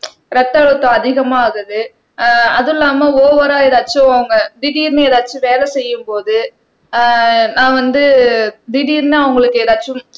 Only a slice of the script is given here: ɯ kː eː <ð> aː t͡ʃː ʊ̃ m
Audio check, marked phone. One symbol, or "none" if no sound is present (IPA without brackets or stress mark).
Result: ð